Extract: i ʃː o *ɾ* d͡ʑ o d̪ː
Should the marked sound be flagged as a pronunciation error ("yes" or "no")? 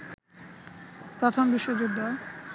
yes